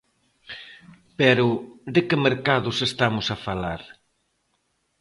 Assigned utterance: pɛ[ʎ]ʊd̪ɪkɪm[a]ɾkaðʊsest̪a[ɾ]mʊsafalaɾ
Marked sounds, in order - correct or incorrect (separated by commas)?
incorrect, incorrect, incorrect